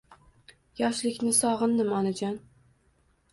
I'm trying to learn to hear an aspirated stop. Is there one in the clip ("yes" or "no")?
no